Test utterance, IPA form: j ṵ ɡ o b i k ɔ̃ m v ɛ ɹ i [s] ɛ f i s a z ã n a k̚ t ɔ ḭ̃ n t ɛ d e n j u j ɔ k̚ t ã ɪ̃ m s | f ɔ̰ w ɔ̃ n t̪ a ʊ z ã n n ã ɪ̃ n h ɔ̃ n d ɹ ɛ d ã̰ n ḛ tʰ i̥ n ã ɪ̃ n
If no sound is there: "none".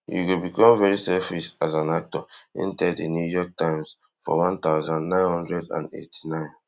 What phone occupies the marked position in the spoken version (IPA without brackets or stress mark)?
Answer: s